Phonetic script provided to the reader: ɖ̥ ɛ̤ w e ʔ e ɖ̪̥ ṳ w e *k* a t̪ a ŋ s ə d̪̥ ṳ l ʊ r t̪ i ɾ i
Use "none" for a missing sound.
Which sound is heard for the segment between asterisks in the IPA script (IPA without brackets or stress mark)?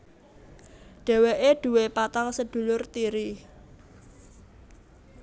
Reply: p